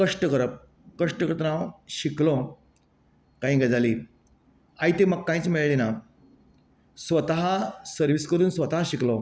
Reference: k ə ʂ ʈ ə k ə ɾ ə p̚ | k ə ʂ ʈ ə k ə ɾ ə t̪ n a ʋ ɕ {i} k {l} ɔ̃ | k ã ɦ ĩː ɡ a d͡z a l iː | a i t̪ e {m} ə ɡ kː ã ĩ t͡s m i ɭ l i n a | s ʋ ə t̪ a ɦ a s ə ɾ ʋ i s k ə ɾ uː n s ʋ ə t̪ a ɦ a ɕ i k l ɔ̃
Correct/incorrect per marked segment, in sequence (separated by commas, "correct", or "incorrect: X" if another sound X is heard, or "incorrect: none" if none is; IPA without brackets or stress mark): correct, correct, correct